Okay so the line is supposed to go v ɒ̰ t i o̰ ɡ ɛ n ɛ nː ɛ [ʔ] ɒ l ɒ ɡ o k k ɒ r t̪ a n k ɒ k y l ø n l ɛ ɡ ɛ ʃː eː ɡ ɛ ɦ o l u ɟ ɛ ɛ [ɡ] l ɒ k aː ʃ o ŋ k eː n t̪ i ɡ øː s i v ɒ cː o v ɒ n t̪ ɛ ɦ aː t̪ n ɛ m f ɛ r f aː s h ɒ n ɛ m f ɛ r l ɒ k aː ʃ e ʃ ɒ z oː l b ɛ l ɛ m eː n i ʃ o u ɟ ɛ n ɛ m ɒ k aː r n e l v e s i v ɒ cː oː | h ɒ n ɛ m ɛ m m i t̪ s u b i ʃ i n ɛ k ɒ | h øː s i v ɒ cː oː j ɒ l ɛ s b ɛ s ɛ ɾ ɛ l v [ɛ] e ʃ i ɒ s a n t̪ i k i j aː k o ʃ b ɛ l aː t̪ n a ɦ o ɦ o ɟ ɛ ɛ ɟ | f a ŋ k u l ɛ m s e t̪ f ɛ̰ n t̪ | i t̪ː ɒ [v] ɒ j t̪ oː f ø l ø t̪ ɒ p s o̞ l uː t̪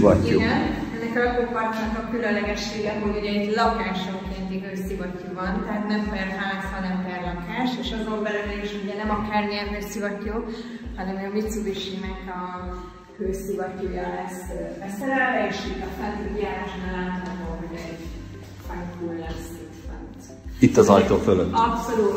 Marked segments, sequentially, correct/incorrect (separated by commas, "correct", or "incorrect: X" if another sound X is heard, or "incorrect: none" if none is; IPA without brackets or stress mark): incorrect: k, incorrect: ɟ, correct, incorrect: z